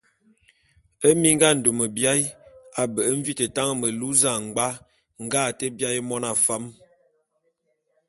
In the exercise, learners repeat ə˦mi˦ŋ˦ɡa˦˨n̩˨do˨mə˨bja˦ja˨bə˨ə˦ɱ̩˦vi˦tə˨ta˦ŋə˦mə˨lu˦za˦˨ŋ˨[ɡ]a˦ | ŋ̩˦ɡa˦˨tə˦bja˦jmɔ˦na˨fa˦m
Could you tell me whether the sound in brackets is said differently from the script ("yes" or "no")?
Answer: yes